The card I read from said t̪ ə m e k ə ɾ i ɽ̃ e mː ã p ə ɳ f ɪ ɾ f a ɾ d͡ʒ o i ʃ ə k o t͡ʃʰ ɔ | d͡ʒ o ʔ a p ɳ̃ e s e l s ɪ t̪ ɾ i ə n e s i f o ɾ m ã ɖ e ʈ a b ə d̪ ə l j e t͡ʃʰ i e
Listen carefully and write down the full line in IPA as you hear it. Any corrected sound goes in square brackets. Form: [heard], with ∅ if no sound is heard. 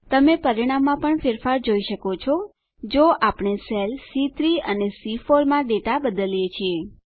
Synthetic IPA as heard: t̪ ə m e [p] ə ɾ i ɽ̃ [a] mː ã p ə ɳ f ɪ ɾ f a ɾ d͡ʒ o i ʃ ə k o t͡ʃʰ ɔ | d͡ʒ o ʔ a p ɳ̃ e s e l s [i] t̪ ɾ i ə n e s i f o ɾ m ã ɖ e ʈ a b ə d̪ ə l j e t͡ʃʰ i e

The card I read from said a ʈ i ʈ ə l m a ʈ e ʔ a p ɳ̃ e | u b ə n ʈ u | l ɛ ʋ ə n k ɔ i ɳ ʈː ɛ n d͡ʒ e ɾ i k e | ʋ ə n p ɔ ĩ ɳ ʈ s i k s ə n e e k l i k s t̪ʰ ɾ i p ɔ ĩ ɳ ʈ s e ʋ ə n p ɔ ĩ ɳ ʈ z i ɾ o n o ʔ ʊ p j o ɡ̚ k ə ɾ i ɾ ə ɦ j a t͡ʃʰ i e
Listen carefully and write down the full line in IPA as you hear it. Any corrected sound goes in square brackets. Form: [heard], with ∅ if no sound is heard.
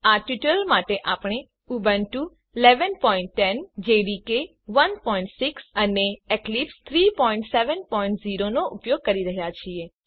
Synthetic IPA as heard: a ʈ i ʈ ə l m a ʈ e ʔ a p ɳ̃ e | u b ə n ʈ u | l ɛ ʋ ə n [p] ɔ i ɳ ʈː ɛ n d͡ʒ e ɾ i k e | ʋ ə n p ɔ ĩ ɳ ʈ s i k s ə n e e k l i [p] s t̪ʰ ɾ i p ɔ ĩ ɳ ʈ s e ʋ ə n p ɔ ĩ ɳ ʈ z i ɾ o n o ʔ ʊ p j o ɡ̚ k ə ɾ i ɾ ə ɦ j a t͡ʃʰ i e

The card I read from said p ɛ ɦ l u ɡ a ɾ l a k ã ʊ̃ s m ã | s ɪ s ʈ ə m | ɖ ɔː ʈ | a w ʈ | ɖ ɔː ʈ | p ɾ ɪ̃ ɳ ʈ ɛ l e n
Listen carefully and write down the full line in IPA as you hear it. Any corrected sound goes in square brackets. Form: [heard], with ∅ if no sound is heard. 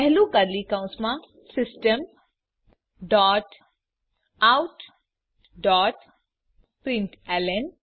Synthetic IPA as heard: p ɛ ɦ l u ɡ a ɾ l [i] k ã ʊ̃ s m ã | s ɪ s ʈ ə m | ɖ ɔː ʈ | a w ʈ | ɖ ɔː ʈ | p ɾ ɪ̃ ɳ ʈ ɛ l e n

